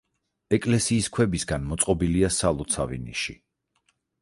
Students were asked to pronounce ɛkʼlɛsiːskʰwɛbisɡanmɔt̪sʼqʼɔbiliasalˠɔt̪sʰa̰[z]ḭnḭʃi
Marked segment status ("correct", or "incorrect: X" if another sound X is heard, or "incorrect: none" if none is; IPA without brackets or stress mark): incorrect: v